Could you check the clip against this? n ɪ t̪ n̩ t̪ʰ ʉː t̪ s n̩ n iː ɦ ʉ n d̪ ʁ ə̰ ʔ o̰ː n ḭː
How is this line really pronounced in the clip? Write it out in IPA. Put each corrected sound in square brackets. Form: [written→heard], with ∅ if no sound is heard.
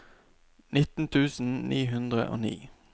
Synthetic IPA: n ɪ t̪ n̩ t̪ʰ ʉː [t̪→∅] s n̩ n iː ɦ ʉ n d̪ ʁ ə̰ ʔ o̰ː n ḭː